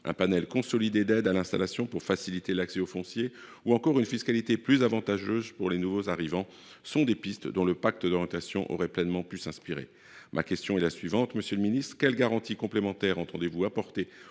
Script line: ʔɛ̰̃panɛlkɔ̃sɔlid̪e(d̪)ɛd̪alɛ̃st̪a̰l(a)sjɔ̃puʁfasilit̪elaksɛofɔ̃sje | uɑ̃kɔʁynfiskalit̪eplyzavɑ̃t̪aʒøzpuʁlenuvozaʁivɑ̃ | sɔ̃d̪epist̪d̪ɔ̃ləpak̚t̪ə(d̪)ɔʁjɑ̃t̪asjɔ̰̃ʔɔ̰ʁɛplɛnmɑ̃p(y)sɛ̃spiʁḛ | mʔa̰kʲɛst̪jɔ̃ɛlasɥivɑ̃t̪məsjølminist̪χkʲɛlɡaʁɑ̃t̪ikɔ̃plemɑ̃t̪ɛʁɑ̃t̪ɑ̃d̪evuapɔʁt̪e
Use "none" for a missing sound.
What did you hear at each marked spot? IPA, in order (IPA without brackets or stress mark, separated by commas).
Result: d̪, a, d̪, y